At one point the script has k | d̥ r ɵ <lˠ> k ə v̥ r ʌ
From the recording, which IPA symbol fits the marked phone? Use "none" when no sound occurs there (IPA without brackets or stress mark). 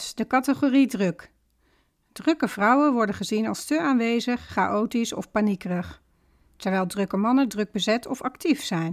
none